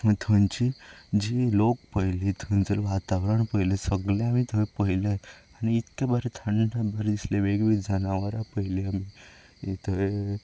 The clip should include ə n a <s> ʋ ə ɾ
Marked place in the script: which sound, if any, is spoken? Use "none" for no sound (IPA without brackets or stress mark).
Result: none